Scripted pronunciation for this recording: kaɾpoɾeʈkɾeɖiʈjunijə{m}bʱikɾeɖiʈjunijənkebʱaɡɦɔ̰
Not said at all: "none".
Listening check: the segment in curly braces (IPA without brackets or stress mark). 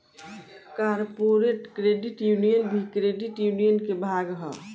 n